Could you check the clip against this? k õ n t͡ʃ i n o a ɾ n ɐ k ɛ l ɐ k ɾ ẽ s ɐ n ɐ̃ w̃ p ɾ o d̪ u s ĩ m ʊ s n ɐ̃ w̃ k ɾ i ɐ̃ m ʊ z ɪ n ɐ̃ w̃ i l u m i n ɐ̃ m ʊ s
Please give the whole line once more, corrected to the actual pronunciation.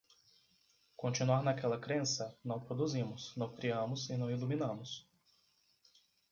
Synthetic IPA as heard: k õ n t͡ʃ i n u a ɾ n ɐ k ɛ l ɐ k ɾ ẽ s ɐ n ɐ̃ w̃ p ɾ o d̪ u z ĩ m ʊ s n ɐ̃ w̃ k ɾ i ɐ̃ m ʊ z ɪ n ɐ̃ w̃ i l u m i n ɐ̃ m ʊ s